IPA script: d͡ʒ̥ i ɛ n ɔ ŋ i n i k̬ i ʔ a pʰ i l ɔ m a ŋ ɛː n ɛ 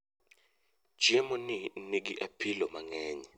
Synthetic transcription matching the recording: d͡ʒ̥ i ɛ m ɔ n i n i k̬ i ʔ a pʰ i l ɔ m a ŋ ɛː ɲ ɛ